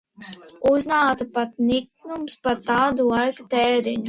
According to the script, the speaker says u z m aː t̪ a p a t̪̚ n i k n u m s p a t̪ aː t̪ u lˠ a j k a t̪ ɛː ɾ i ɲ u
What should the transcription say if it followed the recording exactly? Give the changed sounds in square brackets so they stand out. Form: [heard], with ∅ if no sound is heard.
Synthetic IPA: u z [n] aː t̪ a p a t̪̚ n i k n u m s p a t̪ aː [d̪] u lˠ a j k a t̪ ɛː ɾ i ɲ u